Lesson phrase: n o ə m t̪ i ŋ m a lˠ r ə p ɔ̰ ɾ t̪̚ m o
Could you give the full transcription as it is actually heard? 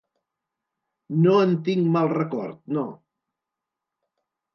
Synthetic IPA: n o ə n t̪ i ŋ m a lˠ r ə k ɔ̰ ɾ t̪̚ n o

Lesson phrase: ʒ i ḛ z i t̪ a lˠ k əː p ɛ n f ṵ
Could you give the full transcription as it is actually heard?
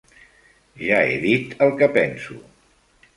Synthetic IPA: ʒ a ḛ ð i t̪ ə lˠ k ə p ɛ n s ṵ

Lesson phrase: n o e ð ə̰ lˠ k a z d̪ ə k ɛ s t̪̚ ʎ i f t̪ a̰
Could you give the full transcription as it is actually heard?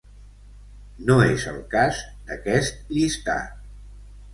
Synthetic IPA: n o e z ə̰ lˠ k a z d̪ ə k ɛ s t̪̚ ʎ i s t̪ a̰

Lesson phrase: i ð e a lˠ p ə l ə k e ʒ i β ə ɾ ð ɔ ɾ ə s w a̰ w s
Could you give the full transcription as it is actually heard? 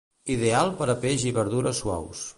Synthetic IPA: i ð e a lˠ p ə ɾ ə p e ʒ i β ə ɾ ð u ɾ ə s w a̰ w s

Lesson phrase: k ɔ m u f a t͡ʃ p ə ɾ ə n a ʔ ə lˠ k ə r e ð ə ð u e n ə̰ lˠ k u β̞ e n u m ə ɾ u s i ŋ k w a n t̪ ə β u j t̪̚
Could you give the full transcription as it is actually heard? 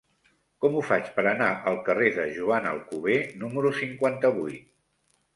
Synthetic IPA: k ɔ m u f a t͡ʃ p ə ɾ ə n a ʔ ə lˠ k ə r e ð ə ʒ u a n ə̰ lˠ k u β̞ e n u m ə ɾ u s i ŋ k w a n t̪ ə β u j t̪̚

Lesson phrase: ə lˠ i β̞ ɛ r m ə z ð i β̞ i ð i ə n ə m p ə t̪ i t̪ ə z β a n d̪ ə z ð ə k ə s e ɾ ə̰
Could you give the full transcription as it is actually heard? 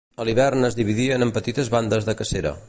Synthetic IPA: ə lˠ i β̞ ɛ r n ə z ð i β̞ i ð i ə n ə m p ə t̪ i t̪ ə z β a n d̪ ə z ð ə k ə s e ɾ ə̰

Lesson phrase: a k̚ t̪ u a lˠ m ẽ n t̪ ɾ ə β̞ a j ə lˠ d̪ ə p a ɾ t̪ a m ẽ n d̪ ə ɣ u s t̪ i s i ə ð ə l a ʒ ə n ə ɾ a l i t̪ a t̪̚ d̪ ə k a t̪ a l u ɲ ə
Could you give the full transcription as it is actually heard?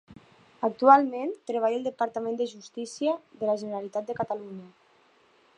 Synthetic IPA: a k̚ t̪ u a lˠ m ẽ n t̪ ɾ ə β̞ a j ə lˠ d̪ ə p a ɾ t̪ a m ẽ n d̪ ə ʒ u s t̪ i s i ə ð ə l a ʒ ə n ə ɾ a l i t̪ a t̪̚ d̪ ə k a t̪ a l u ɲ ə

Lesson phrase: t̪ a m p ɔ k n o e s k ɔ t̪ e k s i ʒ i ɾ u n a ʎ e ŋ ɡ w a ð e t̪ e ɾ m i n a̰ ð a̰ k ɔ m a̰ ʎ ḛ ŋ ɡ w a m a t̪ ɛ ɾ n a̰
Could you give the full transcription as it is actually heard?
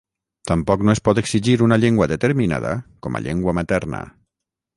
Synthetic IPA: t̪ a m p ɔ k n o e s p ɔ t̪ e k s i ʒ i ɾ u n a ʎ e ŋ ɡ w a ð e t̪ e ɾ m i n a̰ ð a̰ k ɔ m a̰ ʎ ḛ ŋ ɡ w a m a t̪ ɛ ɾ n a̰

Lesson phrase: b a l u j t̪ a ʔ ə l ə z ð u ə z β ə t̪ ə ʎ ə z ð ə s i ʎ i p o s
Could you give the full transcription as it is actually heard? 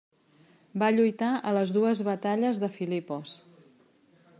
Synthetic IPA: b a ʎ u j t̪ a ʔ ə l ə z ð u ə z β ə t̪ a ʎ ə z ð ə f i l i p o s

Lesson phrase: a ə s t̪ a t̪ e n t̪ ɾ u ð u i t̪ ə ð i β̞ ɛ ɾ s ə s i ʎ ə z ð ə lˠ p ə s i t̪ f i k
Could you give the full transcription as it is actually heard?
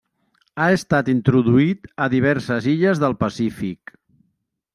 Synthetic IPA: a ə s t̪ a t̪ i n t̪ ɾ u ð u i t̪ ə ð i β̞ ɛ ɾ s ə z i ʎ ə z ð ə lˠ p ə s i f i k

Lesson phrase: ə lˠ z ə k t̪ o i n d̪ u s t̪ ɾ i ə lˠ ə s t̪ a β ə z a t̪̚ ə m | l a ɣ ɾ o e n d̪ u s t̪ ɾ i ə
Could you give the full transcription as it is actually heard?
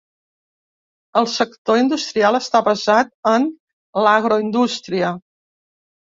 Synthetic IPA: ə lˠ s ə k t̪ o i n d̪ u s t̪ ɾ i a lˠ ə s t̪ a β ə z a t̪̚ ə n | l a ɣ ɾ o i n d̪ u s t̪ ɾ i ə

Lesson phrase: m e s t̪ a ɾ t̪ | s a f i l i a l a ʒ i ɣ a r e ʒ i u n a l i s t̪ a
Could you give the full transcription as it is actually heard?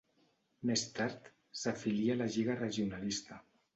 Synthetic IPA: m e s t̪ a ɾ t̪ | s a f i l i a l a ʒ i ɣ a r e ʒ i u n a l i s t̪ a

